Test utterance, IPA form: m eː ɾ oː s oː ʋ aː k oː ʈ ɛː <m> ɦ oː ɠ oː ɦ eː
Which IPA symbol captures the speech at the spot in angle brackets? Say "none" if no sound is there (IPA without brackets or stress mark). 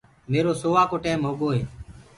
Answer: m